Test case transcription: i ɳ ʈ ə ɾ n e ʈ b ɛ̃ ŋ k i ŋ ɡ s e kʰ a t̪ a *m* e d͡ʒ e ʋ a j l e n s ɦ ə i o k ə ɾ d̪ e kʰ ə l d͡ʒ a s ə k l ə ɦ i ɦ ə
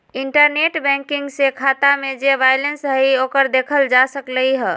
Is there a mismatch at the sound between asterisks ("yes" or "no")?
no